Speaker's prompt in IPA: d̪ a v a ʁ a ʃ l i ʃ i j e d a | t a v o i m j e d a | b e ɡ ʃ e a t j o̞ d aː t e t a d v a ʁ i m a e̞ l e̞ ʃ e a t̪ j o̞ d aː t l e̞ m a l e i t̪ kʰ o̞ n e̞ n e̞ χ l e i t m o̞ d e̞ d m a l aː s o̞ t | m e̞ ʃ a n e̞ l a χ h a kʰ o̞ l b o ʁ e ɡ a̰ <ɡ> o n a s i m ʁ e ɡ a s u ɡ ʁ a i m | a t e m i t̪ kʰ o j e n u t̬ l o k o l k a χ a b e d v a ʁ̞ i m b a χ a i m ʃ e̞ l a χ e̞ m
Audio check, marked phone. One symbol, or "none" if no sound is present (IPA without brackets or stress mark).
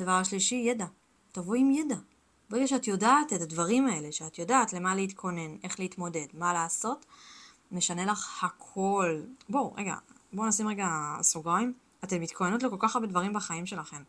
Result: b